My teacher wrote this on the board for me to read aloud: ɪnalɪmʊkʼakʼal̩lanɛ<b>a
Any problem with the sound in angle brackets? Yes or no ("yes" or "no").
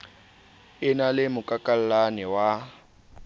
yes